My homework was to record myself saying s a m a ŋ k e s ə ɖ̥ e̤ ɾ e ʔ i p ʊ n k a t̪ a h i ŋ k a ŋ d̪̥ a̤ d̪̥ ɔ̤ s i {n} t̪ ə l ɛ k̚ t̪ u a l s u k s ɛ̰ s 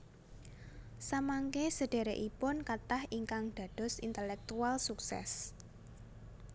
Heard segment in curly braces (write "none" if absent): n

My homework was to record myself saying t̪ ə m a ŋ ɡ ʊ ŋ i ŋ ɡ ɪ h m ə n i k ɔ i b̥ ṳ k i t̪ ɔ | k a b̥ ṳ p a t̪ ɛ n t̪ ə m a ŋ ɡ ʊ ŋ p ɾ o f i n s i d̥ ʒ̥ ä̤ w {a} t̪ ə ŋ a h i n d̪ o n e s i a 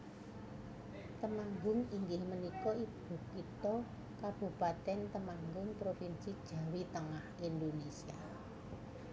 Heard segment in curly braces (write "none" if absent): i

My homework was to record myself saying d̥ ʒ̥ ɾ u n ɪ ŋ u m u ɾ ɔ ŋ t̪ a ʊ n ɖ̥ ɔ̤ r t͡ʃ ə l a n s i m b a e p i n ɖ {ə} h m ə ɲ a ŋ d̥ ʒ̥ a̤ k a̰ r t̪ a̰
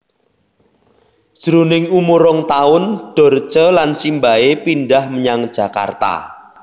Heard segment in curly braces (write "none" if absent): a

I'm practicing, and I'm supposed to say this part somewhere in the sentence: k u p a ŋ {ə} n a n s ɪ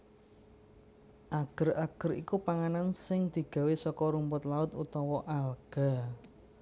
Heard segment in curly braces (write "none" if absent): a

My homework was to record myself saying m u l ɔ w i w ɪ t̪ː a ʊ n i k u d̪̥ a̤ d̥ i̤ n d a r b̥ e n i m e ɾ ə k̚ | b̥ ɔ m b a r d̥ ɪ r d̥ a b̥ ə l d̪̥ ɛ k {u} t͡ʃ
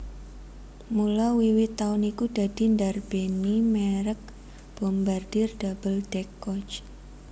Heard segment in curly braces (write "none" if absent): ɔ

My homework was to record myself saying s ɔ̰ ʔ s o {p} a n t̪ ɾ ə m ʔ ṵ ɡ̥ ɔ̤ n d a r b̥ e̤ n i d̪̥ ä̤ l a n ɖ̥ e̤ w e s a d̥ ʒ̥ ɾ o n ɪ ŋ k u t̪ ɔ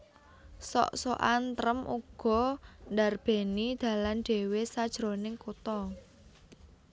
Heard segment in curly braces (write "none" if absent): ʔ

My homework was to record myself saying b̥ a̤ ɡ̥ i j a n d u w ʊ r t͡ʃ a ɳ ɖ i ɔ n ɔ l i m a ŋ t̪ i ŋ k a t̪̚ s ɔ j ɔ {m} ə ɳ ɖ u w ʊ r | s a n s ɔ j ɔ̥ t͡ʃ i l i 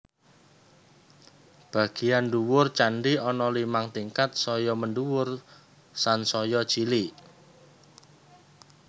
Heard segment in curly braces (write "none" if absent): m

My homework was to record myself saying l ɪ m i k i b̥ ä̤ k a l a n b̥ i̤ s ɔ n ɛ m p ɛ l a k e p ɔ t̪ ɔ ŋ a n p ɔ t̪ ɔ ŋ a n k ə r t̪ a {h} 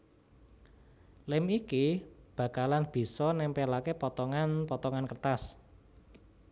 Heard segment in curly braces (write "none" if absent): s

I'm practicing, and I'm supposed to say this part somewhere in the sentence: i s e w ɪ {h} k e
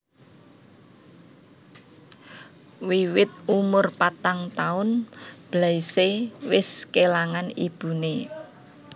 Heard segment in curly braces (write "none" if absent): s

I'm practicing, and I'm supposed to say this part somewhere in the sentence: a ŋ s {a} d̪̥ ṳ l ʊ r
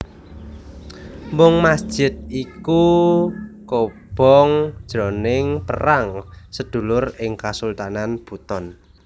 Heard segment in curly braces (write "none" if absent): ə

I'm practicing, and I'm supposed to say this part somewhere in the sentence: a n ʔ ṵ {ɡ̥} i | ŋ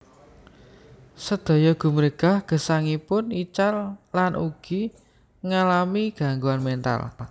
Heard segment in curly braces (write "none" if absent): ɡ̥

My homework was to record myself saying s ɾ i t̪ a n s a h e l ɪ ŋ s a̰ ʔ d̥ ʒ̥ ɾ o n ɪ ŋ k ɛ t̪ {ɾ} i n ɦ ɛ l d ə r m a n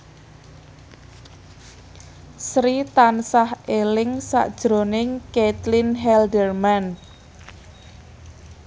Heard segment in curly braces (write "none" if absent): l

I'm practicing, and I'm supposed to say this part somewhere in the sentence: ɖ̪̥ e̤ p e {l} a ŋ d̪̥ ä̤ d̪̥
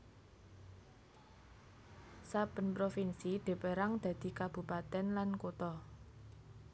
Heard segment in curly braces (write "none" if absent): ɾ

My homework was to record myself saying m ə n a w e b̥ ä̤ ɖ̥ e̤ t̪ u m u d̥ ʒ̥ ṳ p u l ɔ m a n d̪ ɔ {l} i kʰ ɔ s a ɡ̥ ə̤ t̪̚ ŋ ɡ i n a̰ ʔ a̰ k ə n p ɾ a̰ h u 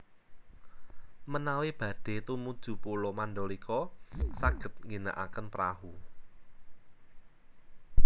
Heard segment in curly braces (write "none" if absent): l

